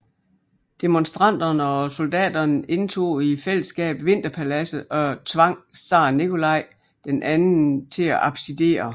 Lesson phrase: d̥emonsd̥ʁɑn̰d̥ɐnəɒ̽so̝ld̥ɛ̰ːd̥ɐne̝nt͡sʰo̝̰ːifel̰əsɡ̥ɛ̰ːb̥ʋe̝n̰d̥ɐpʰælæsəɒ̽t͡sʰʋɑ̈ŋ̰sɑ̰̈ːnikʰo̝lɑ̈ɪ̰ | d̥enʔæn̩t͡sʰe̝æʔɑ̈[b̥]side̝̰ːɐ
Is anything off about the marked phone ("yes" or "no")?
no